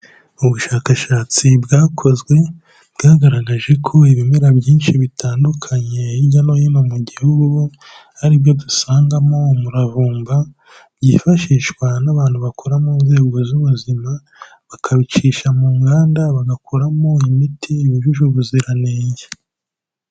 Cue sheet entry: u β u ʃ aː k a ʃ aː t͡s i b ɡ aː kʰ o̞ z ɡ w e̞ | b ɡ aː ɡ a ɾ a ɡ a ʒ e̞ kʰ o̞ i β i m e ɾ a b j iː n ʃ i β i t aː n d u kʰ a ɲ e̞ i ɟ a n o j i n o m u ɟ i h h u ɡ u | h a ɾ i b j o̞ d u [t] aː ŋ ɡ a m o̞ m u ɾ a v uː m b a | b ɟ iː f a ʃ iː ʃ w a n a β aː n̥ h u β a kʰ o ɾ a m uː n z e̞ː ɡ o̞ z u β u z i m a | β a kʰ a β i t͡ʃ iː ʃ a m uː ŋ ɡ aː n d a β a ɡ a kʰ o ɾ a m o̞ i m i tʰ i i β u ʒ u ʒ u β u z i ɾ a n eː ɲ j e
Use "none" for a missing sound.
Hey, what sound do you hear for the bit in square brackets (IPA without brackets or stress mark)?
s